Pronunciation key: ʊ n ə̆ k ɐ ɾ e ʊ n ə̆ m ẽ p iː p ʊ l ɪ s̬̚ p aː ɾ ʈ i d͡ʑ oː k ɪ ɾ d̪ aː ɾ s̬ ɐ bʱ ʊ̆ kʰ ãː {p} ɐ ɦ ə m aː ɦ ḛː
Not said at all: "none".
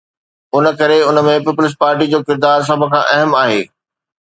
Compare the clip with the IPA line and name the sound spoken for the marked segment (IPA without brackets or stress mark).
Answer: ʔ